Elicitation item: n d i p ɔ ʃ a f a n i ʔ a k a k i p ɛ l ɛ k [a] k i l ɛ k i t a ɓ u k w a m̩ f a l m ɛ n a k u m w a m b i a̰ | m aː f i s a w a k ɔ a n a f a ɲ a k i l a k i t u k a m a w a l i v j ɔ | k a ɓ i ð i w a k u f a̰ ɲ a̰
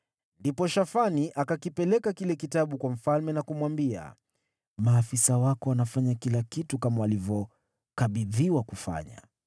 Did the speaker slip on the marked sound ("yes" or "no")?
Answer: no